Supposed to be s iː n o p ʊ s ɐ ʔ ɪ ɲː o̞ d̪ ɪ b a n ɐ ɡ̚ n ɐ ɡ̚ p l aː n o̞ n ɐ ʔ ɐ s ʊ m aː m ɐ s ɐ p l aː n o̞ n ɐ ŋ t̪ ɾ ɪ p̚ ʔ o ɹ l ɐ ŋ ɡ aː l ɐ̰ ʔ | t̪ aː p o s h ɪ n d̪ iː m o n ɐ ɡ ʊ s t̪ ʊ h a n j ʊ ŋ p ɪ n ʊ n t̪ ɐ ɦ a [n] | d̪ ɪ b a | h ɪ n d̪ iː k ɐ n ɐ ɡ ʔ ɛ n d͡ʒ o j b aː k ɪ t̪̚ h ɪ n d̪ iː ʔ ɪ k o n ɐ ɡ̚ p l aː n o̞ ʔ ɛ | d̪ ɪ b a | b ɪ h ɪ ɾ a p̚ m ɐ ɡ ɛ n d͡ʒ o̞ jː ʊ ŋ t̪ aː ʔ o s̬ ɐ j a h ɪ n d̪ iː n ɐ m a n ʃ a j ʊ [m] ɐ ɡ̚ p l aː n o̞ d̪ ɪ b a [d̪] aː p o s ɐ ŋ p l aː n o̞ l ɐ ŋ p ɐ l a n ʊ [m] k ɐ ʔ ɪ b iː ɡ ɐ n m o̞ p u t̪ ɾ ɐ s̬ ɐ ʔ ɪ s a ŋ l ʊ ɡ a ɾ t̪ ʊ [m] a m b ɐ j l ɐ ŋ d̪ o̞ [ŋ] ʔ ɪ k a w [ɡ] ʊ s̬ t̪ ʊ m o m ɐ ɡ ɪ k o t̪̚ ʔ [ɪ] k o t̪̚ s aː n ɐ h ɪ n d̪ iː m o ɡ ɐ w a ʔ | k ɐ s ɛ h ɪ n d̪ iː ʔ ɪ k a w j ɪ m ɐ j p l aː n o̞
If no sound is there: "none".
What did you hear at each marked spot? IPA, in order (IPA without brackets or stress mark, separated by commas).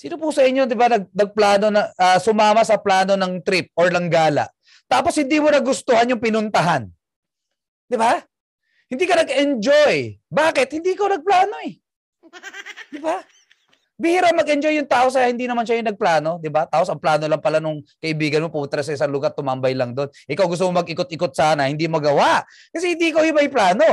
n, n, t̪, ŋ, m, n, ɡ, ɪ